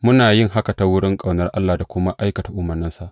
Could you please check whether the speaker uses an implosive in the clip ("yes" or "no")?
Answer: no